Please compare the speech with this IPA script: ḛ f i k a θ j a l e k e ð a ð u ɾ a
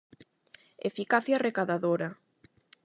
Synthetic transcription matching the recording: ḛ f i k a θ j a r e k a ð a ð o ɾ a